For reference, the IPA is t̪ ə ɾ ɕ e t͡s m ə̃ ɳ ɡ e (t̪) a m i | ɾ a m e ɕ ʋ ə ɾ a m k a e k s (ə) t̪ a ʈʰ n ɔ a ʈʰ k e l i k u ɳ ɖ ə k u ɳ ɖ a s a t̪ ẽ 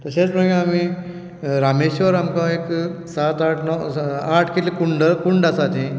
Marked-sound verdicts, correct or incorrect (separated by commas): incorrect, incorrect